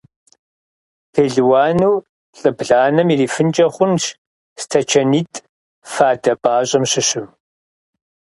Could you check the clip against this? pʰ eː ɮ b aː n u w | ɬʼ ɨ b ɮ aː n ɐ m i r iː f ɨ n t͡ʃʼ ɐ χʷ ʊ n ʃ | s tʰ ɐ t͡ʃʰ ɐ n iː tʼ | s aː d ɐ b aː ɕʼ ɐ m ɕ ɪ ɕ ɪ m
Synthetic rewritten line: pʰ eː ɮ w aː n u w | ɬʼ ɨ b ɮ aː n ɐ m i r iː f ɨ n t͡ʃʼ ɐ χʷ ʊ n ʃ | s tʰ ɐ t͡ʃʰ ɐ n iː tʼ | f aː d ɐ b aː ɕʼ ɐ m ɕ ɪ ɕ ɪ m